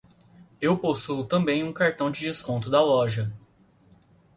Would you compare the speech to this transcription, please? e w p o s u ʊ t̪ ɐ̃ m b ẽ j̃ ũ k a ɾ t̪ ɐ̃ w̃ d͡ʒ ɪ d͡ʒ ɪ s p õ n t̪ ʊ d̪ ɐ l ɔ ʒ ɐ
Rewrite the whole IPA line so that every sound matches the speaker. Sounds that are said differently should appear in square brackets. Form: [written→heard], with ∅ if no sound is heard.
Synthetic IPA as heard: e w p o s u ʊ t̪ ɐ̃ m b ẽ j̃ ũ k a ɾ t̪ ɐ̃ w̃ d͡ʒ ɪ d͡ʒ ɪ s [p→k] õ n t̪ ʊ d̪ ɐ l ɔ ʒ ɐ

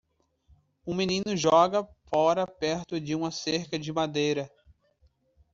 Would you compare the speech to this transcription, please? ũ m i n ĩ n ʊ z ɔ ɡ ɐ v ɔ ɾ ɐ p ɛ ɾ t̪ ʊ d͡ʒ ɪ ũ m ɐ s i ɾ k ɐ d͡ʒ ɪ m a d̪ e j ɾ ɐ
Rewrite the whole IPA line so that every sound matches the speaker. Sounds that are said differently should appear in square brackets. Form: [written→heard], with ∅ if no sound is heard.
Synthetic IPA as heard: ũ m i n ĩ n ʊ [z→ʒ] ɔ ɡ ɐ [v→f] ɔ ɾ ɐ p ɛ ɾ t̪ ʊ d͡ʒ ɪ ũ m ɐ s [i→e] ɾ k ɐ d͡ʒ ɪ m a d̪ e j ɾ ɐ

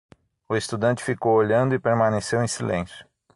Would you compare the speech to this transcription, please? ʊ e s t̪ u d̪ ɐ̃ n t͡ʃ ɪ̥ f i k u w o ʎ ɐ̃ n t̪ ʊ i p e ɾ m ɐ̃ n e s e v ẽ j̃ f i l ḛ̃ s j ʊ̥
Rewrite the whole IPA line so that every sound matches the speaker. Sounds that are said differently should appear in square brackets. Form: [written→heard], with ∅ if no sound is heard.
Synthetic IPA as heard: ʊ e s t̪ u d̪ ɐ̃ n t͡ʃ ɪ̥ f i k [u→o] w o ʎ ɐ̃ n [t̪→d̪] ʊ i p e ɾ m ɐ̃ n e s e [v→w] ẽ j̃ [f→s] i l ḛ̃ s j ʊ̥

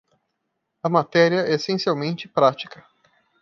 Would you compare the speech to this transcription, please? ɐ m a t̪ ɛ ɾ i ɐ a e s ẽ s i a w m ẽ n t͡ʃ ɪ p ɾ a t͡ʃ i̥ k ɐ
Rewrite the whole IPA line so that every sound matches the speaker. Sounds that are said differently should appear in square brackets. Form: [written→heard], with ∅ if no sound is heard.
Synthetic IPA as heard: ɐ m a t̪ ɛ ɾ i ɐ [a→ɛ] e s ẽ s i a w m ẽ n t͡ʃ ɪ p ɾ a t͡ʃ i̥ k ɐ

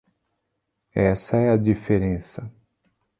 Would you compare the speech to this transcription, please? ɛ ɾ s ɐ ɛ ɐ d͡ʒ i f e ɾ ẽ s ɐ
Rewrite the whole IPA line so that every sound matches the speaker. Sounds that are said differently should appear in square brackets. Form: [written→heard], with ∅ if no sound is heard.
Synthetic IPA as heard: ɛ [ɾ→∅] s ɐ ɛ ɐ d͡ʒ i f e ɾ ẽ s ɐ

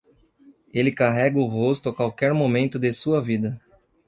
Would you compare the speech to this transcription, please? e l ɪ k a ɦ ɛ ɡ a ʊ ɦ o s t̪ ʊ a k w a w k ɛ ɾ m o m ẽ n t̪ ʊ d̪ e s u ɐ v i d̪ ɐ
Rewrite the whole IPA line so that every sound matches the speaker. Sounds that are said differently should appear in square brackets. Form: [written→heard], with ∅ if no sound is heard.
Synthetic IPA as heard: e l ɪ k a ɦ ɛ ɡ [a→ɐ] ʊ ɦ o s t̪ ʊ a k w a w k ɛ ɾ m o m ẽ n t̪ ʊ d̪ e s u ɐ v i d̪ ɐ

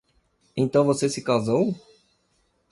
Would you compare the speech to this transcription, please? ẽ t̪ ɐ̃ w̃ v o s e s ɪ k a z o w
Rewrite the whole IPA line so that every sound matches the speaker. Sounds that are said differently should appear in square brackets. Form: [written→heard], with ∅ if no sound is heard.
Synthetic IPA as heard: ẽ t̪ ɐ̃ w̃ v o s e s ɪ k a z o w

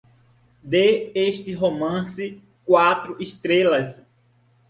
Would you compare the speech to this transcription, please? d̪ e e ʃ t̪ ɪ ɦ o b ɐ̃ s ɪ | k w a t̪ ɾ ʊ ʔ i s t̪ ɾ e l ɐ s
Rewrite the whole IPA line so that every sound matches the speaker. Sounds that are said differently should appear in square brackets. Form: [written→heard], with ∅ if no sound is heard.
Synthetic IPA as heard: d̪ e e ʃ t̪ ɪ ɦ o [b→m] ɐ̃ s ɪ | k w a t̪ ɾ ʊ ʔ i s t̪ ɾ e l ɐ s

